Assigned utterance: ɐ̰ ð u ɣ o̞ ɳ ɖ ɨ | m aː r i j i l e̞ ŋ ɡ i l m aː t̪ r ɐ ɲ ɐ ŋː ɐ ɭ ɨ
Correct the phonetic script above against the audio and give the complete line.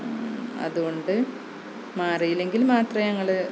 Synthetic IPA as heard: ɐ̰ ð u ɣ o̞ ɳ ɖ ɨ | m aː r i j i l e̞ ŋ ɡ i l m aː t̪ r ɐ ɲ ɐ ŋː ɐ ɭ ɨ